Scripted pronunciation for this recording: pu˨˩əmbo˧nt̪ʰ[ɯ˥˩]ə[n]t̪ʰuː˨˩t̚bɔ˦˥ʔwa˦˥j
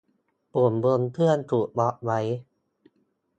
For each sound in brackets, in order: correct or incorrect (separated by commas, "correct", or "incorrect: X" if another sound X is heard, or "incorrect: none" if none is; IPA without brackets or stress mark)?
correct, correct